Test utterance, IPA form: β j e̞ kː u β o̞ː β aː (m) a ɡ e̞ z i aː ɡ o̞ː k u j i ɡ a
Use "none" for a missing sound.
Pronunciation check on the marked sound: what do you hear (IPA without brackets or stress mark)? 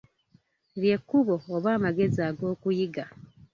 m